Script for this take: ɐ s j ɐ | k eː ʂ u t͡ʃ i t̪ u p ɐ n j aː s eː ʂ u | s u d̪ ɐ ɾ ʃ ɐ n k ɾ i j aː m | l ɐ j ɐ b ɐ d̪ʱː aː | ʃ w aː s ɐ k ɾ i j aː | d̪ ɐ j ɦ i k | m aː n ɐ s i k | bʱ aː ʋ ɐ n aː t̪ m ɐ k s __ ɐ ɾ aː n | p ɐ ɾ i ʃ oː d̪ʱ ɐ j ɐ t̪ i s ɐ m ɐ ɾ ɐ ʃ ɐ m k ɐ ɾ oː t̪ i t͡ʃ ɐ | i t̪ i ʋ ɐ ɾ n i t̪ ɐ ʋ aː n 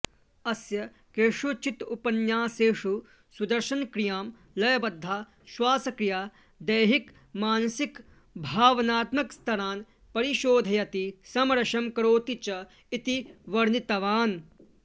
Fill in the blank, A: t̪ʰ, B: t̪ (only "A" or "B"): A